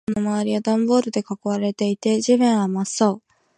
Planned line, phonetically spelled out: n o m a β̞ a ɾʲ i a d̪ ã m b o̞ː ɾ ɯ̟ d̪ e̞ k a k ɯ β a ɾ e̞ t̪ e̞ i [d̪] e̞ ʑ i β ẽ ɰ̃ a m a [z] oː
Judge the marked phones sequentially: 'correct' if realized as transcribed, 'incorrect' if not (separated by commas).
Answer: incorrect, incorrect